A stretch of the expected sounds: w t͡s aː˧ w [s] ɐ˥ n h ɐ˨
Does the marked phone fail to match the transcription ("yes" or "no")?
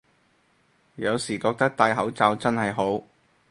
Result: yes